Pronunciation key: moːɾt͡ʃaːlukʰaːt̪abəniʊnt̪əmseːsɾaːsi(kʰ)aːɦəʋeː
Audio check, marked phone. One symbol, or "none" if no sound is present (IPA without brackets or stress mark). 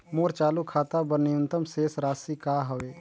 k